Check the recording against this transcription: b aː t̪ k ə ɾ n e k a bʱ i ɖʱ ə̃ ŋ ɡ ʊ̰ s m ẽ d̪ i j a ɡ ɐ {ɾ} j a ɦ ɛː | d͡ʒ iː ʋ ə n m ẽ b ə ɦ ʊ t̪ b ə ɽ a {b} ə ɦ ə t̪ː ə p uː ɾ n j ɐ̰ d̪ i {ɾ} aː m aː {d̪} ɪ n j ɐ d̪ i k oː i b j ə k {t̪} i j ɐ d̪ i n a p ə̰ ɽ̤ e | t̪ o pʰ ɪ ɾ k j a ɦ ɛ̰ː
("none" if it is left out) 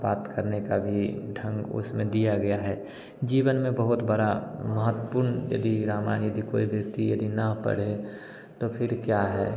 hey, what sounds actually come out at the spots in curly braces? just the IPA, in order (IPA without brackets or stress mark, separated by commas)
none, m, ɾ, none, t̪